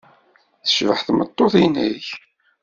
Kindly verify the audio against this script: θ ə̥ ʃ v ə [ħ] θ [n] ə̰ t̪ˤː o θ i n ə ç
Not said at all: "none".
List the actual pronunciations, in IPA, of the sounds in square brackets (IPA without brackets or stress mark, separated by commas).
ħ, m